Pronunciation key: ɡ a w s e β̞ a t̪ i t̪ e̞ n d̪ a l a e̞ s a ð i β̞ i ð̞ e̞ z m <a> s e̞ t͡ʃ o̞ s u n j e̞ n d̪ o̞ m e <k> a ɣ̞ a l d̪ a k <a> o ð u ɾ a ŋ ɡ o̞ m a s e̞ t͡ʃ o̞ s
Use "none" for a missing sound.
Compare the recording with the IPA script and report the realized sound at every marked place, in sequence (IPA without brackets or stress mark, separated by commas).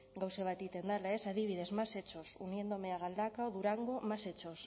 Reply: a, none, a